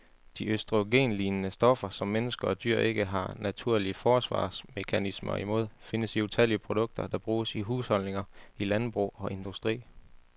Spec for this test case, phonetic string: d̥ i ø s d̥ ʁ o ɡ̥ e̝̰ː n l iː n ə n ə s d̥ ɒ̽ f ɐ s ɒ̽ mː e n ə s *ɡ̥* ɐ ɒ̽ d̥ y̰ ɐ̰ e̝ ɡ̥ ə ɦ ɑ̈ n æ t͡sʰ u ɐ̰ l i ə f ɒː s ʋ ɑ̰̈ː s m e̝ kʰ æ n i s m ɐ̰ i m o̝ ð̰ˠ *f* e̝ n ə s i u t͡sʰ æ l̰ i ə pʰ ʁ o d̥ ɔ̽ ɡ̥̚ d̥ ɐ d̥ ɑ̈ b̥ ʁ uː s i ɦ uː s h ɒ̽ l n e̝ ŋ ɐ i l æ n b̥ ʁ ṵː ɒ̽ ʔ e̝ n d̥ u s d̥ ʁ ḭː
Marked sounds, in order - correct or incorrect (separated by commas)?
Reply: correct, correct